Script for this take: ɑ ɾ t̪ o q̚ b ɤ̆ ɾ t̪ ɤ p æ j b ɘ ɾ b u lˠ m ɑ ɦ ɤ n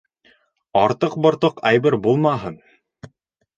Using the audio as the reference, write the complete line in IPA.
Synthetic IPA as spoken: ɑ ɾ t̪ ɤ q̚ b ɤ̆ ɾ t̪ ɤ q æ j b ɘ ɾ b u lˠ m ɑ ɦ ɤ n